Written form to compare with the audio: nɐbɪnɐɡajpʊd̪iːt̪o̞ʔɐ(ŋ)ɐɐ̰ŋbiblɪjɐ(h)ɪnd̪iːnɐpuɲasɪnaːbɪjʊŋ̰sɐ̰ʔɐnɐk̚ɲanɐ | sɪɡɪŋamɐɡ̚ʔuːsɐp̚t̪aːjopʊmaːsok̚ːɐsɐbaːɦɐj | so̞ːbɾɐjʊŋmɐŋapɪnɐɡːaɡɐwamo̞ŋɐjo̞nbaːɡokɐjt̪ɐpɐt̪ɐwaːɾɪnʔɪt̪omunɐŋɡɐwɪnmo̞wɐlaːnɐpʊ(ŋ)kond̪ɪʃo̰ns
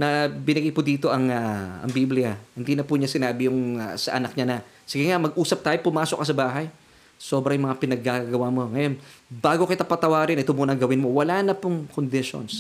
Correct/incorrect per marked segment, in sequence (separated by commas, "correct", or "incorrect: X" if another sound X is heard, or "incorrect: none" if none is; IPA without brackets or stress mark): correct, correct, correct